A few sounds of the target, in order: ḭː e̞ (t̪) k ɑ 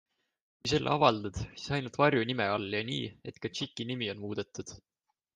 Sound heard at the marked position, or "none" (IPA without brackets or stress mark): t̪